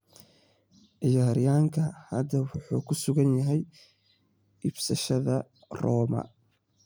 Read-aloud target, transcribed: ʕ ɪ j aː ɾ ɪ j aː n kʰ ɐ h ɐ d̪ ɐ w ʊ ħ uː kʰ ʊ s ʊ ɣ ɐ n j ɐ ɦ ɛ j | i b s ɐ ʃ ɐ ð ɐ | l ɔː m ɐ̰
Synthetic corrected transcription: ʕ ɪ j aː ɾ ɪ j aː ŋ kʰ ɐ h ɐ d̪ ɐ w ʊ ħ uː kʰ ʊ s ʊ ɣ ɐ n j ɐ ɦ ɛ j | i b s ɐ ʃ ɐ ð ɐ | r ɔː m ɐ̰